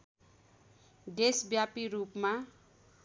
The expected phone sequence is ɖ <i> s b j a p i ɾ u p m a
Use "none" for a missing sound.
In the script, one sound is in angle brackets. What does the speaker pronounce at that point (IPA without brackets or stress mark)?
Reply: e